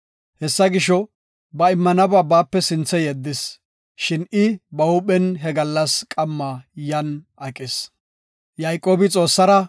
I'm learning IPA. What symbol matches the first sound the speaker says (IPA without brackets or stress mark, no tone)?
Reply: h